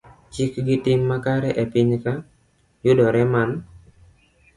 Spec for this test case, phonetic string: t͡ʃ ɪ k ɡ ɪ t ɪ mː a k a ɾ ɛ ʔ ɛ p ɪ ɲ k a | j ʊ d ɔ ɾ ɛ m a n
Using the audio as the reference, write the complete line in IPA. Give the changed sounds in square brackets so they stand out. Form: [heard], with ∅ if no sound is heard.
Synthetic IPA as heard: t͡ʃ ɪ k ɡ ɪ t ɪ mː a k a ɾ ɛ ʔ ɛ p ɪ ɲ k a | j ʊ d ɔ ɾ ɛ m a n